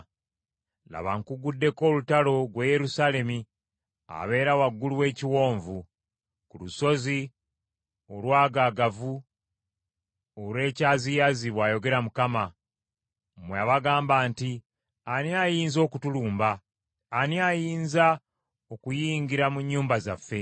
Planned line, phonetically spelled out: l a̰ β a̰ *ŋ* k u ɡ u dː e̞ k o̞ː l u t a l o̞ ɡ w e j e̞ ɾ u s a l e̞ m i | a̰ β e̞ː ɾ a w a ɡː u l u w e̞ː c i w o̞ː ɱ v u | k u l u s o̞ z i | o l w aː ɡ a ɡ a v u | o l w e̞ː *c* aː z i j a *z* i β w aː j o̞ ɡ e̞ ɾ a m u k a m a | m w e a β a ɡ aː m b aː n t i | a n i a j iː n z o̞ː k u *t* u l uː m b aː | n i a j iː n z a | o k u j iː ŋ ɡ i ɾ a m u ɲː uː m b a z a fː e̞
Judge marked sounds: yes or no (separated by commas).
yes, yes, yes, yes